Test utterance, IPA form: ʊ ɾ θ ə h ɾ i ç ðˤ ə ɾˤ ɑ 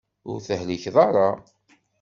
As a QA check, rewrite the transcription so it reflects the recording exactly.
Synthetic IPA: ʊ ɾ θ ə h l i ç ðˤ ɑ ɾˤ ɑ